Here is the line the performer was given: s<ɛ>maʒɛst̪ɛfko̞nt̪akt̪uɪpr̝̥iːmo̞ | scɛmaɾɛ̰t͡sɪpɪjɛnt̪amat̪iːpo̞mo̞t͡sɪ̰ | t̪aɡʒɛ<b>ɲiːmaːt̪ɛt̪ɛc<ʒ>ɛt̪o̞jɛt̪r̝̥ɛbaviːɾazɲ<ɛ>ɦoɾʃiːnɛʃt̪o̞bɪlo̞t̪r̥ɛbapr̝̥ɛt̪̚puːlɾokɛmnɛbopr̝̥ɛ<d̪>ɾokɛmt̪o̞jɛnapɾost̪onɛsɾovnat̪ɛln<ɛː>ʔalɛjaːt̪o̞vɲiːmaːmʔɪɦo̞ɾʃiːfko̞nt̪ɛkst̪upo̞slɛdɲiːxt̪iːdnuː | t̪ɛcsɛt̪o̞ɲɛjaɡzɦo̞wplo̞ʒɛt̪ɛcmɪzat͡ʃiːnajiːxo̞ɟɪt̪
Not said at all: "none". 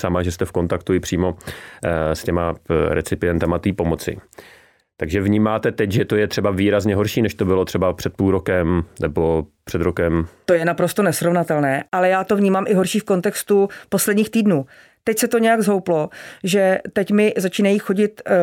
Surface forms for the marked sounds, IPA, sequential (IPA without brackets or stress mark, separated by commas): a, v, ʒ, ɛ, d̪, ɛː